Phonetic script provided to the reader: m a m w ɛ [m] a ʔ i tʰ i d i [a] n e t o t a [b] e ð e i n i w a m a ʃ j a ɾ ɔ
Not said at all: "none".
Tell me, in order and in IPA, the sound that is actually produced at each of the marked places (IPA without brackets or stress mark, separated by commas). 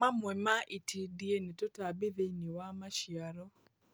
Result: m, e, b